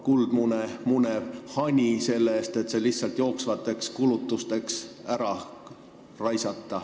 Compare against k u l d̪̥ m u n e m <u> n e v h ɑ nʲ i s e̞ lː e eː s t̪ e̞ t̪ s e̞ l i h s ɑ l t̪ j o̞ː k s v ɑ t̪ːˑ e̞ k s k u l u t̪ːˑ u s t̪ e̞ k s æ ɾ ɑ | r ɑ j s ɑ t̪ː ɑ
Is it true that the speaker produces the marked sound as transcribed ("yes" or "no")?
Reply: yes